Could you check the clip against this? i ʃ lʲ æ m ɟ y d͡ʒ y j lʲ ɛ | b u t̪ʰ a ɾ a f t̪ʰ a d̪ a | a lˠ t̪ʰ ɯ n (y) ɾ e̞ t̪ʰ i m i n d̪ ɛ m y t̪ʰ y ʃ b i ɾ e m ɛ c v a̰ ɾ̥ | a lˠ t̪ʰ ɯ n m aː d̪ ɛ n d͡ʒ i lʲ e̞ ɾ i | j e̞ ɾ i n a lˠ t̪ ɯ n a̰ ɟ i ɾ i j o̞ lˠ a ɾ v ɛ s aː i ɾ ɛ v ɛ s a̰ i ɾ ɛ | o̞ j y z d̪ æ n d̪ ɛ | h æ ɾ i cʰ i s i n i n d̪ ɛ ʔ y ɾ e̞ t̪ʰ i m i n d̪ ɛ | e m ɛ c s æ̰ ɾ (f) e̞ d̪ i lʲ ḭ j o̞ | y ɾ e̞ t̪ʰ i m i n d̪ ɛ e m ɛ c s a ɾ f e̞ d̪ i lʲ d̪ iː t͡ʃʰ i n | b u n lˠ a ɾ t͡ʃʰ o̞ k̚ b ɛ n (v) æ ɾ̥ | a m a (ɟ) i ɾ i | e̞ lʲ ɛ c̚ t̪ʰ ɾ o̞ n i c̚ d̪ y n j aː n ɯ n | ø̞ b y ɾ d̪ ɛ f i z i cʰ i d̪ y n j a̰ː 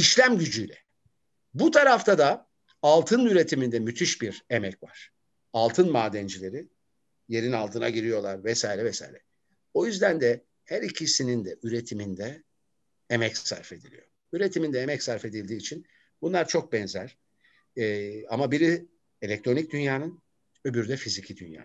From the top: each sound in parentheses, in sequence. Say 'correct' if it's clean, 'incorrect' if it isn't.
correct, correct, incorrect, incorrect

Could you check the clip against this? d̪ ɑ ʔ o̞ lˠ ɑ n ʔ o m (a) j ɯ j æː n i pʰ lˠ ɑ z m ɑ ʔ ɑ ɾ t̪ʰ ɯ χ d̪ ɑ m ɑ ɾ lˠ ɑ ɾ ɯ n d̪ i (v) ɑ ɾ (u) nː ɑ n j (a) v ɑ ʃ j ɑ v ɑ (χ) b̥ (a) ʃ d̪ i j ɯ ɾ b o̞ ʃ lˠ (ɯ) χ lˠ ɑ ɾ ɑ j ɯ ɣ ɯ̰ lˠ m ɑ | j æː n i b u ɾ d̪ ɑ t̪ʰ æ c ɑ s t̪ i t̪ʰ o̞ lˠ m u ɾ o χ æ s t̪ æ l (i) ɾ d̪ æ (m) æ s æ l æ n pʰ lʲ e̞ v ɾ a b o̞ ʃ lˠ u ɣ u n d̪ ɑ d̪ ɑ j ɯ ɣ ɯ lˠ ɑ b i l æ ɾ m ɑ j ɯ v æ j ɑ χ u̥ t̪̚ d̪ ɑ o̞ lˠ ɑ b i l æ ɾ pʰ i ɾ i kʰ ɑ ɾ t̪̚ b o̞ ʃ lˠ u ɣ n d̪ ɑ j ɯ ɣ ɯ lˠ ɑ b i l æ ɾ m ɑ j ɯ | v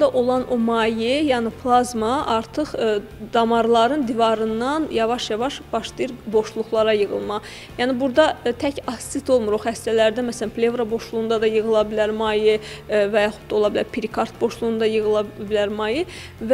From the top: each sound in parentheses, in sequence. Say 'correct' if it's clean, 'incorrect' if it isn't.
incorrect, correct, incorrect, incorrect, incorrect, incorrect, incorrect, incorrect, correct

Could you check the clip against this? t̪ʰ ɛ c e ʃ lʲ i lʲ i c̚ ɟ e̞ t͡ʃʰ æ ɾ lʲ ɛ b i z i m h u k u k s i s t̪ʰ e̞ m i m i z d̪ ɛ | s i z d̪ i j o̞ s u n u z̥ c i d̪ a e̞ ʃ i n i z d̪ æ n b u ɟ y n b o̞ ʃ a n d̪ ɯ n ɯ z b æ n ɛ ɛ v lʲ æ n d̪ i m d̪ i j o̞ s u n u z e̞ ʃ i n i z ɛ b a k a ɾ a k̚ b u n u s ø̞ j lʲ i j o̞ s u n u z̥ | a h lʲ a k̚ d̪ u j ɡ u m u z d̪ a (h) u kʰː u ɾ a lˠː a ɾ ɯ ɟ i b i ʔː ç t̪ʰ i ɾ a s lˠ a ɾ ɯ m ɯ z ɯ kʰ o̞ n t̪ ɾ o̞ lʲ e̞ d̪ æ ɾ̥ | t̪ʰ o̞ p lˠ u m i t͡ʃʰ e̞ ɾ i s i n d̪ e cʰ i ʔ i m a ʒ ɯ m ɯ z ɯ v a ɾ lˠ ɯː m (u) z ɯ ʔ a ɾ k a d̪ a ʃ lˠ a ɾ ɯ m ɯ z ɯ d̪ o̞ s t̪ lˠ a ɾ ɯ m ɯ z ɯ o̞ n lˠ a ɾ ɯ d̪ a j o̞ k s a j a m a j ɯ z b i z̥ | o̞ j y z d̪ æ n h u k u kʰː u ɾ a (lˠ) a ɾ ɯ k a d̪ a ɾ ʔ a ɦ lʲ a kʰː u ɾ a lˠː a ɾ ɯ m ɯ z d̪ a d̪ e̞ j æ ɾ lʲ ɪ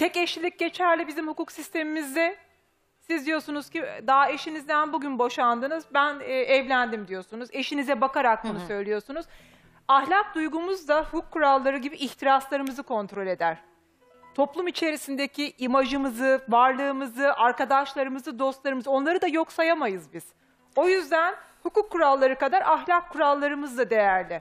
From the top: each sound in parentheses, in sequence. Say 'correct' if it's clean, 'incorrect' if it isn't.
correct, incorrect, incorrect

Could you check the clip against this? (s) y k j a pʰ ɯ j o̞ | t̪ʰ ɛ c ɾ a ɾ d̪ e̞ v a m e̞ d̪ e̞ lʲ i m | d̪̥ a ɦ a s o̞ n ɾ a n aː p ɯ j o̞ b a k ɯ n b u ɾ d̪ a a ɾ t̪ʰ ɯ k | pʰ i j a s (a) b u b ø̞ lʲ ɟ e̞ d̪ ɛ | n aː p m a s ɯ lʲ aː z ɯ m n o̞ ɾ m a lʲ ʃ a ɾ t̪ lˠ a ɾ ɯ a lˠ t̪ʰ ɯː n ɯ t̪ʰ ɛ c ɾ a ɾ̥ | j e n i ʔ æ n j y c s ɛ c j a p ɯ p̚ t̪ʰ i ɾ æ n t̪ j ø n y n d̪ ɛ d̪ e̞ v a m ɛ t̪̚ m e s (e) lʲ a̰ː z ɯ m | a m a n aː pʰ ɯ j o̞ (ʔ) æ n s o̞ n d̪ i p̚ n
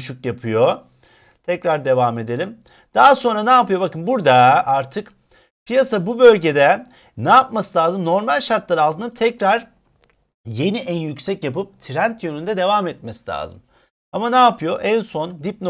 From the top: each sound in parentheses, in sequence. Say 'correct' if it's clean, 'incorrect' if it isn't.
incorrect, correct, incorrect, correct

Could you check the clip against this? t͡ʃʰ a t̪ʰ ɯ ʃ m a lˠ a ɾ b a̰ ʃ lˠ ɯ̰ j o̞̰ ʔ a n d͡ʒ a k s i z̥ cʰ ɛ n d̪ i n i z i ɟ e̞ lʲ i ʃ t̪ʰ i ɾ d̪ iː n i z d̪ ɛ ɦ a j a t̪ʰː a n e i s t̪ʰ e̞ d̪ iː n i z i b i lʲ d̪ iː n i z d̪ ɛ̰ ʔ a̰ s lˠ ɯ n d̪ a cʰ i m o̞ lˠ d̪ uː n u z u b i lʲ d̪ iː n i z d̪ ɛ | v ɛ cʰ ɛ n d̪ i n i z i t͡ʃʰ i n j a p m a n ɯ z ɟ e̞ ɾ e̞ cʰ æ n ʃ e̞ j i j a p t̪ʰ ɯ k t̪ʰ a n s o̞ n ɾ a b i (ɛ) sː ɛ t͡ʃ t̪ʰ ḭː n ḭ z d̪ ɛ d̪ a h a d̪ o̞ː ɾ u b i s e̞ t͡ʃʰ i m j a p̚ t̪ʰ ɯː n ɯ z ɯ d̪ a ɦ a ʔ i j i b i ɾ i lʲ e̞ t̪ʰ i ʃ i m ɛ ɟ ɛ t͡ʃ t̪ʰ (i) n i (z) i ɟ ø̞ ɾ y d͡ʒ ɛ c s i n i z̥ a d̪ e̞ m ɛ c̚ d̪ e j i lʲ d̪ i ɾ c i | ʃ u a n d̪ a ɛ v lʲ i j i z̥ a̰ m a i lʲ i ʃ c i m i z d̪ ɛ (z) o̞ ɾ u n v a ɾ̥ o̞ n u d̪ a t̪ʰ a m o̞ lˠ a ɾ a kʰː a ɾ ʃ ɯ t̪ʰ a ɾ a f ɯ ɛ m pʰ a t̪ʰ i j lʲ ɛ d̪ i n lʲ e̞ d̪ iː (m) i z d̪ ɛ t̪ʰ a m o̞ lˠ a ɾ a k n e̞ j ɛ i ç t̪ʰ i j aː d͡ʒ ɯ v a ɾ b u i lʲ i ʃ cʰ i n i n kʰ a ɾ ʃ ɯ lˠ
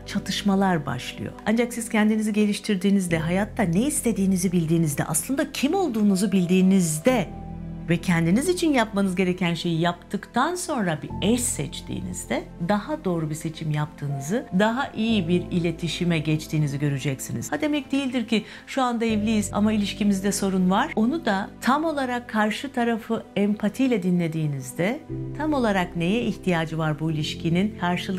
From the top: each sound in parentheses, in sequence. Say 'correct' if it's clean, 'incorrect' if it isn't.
correct, incorrect, correct, incorrect, incorrect

